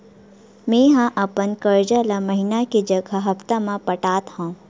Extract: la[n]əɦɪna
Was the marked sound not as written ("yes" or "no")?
yes